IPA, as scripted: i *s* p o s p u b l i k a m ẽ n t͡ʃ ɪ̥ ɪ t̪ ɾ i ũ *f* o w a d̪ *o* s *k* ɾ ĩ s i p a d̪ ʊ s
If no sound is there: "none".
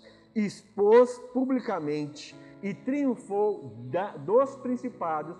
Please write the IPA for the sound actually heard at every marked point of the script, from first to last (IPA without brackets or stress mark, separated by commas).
s, f, o, p